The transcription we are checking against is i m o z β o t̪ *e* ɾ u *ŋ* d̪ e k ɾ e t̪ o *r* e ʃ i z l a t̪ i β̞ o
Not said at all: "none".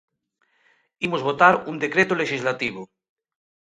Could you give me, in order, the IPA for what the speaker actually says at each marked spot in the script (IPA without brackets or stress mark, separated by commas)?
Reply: a, n, l